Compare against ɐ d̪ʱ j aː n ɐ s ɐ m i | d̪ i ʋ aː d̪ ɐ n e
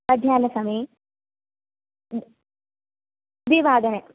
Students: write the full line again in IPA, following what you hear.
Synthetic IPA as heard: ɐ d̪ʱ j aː n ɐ s ɐ m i | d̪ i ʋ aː d̪ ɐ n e